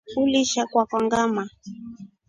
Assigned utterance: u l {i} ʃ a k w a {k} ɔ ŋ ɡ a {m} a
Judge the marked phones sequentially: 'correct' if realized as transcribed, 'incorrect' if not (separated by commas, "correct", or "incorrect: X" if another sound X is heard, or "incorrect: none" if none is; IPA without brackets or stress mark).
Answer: correct, correct, correct